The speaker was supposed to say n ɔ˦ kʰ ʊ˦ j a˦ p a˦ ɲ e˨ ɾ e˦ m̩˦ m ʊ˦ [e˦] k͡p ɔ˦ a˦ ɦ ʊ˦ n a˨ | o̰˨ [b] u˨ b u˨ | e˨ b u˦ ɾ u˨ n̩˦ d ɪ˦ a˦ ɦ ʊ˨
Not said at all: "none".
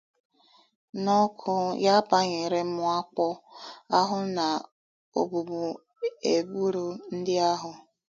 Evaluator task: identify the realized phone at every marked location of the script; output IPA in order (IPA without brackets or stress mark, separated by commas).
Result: a˦, b